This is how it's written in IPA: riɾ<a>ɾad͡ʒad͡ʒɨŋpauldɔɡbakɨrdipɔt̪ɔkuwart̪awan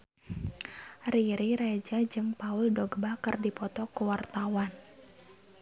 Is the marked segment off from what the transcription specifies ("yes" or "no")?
yes